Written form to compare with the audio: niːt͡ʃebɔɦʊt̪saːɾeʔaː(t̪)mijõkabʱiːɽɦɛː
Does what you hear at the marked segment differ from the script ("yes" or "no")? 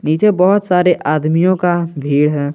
yes